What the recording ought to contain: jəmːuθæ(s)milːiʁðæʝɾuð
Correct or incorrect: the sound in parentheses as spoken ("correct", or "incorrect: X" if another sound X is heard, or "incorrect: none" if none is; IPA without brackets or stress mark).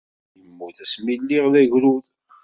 correct